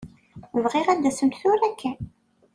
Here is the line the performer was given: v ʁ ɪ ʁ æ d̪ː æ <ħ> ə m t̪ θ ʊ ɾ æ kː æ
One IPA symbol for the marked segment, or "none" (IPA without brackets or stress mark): s